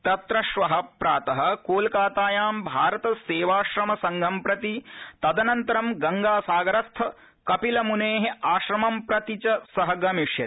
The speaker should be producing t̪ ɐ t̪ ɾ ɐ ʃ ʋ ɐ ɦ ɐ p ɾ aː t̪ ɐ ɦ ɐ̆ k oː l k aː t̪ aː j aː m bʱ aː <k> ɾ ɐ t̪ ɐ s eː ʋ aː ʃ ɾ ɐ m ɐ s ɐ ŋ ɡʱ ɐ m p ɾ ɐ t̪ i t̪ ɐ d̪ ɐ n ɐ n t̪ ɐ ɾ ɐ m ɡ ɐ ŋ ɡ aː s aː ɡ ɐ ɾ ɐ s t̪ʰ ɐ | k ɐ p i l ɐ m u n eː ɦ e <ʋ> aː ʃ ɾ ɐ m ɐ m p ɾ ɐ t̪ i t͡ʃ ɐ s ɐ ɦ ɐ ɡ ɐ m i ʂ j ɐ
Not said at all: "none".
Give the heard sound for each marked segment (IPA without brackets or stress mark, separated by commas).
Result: none, none